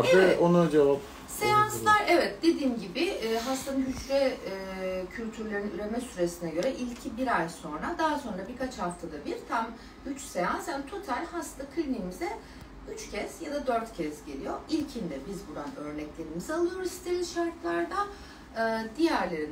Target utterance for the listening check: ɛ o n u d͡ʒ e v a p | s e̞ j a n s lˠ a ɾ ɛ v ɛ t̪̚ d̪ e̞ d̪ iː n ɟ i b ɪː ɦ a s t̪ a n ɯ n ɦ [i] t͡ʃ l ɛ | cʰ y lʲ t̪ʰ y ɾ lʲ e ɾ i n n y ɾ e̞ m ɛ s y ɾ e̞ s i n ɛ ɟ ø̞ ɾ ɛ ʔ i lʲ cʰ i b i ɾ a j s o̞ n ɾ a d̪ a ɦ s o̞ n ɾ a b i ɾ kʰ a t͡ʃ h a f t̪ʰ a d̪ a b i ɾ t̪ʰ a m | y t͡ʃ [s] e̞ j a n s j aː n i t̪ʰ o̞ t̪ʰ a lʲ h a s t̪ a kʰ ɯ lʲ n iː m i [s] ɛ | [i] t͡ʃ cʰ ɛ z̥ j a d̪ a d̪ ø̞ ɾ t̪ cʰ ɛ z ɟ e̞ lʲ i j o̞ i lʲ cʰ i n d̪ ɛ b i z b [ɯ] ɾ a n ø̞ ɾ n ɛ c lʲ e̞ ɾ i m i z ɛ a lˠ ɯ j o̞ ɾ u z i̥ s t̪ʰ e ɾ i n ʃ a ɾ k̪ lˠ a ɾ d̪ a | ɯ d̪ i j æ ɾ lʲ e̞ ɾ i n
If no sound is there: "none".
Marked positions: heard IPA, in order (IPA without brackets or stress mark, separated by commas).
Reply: y, s, z, y, u